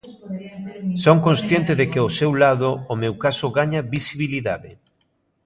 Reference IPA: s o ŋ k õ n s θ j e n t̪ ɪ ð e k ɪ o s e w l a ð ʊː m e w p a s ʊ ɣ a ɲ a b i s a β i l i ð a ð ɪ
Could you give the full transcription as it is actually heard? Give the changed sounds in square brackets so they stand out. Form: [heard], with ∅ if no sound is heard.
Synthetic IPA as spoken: s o ŋ k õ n s θ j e n t̪ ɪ ð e k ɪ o s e w l a ð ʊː m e w [k] a s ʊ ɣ a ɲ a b i s [i] β i l i ð a ð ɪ